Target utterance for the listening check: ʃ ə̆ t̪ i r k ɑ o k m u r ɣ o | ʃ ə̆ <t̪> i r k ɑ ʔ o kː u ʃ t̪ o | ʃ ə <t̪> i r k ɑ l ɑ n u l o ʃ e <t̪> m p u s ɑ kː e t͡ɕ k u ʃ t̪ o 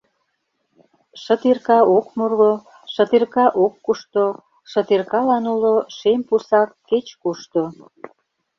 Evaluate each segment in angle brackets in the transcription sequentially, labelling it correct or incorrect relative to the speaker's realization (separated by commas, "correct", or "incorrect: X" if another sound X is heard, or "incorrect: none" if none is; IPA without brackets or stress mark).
correct, correct, incorrect: none